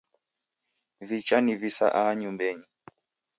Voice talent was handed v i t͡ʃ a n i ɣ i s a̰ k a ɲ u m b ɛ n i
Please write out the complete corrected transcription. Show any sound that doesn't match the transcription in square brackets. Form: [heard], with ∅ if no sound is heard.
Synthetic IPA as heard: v i t͡ʃ a n i [v] i s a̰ [ʔ] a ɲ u m b ɛ [ɲ] i